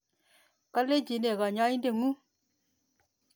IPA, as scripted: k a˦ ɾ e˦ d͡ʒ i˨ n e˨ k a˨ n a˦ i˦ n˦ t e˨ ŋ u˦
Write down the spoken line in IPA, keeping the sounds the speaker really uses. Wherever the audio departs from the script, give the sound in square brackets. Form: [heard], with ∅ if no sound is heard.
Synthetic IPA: k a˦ [l] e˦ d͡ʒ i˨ n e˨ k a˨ [ɲ] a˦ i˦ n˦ [d] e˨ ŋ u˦